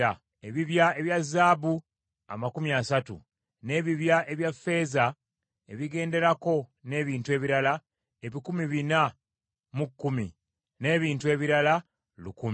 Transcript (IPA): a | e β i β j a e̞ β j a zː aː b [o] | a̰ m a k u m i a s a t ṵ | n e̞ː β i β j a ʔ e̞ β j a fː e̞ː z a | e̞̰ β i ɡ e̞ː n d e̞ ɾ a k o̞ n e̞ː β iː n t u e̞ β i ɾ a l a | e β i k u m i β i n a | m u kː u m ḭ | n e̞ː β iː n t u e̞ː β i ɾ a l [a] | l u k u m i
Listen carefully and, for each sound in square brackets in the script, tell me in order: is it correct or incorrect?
incorrect, correct

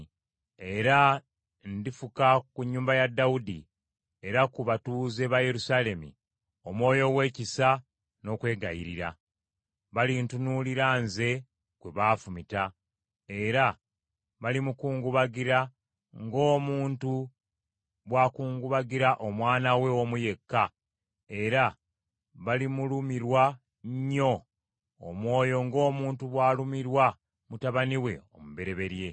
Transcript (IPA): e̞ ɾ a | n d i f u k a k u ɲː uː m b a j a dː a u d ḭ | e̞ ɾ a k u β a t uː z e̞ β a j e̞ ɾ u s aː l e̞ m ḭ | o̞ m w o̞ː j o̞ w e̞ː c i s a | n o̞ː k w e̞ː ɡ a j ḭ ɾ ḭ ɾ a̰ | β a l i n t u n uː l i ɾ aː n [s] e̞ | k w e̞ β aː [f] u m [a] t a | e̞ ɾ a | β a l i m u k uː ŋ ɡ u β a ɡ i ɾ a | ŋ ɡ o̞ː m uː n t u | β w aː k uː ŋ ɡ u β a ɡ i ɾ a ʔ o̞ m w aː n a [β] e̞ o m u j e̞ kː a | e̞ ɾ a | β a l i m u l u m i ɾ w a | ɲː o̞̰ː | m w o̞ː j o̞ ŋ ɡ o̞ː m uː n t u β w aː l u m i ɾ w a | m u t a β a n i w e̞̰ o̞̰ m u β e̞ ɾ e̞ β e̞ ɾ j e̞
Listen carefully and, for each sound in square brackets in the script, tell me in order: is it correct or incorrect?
incorrect, correct, incorrect, incorrect

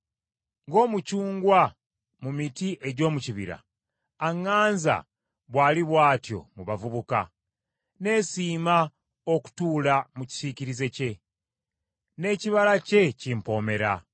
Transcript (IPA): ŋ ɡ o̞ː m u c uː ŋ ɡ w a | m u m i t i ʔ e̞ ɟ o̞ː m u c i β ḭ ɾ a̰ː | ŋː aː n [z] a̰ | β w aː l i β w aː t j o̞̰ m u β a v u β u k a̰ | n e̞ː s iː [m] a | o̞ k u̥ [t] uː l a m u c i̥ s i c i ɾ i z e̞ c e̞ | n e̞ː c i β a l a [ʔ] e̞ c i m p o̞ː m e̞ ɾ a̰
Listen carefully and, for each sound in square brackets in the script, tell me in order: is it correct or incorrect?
correct, correct, correct, incorrect

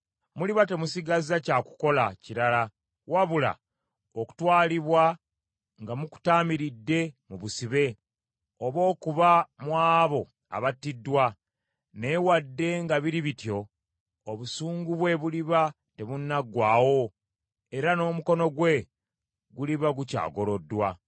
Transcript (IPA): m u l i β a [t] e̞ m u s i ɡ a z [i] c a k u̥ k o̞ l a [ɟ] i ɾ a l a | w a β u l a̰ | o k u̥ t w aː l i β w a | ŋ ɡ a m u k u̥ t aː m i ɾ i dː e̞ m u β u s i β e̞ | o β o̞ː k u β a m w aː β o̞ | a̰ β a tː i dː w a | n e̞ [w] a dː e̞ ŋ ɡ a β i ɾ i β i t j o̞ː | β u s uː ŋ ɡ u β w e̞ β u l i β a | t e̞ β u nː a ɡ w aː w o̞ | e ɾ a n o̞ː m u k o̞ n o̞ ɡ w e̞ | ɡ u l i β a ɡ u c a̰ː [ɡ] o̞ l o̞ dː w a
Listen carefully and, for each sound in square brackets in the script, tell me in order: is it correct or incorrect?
correct, incorrect, incorrect, correct, correct

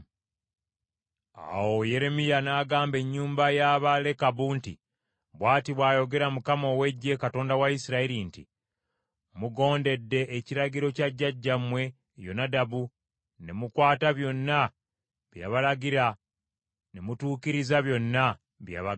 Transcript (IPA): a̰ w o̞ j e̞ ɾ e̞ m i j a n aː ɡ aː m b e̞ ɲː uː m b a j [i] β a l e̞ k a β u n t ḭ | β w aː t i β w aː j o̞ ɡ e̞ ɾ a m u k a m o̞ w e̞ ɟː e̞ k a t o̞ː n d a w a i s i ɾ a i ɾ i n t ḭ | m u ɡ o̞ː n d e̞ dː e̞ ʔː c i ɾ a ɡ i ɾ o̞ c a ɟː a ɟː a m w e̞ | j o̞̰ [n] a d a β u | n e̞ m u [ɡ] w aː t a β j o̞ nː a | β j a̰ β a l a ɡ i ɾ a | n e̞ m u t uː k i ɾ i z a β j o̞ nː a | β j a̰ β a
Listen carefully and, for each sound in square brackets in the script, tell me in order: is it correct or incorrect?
incorrect, correct, incorrect

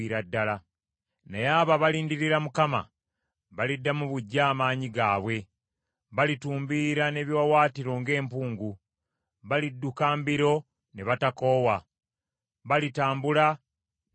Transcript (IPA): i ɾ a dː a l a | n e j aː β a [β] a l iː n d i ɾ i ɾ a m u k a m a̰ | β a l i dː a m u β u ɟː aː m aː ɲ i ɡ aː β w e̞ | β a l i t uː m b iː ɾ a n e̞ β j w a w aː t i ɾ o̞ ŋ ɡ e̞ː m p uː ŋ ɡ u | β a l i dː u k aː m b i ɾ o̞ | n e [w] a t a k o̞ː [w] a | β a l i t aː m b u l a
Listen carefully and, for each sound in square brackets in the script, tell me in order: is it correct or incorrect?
correct, incorrect, correct

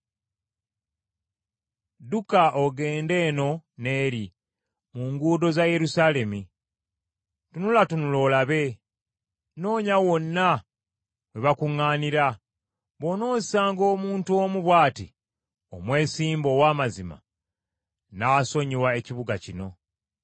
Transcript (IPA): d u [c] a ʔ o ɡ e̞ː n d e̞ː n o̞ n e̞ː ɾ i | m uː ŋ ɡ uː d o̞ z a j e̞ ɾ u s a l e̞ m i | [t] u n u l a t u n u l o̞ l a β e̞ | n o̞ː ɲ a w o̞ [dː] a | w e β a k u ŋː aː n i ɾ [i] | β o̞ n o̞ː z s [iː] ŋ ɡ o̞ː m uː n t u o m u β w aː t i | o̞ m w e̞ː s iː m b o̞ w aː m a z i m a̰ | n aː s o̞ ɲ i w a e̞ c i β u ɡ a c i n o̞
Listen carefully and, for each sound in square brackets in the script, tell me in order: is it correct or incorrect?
incorrect, correct, incorrect, incorrect, incorrect

